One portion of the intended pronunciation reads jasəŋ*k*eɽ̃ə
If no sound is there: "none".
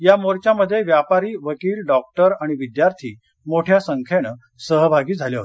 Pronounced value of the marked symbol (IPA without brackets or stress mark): kʰ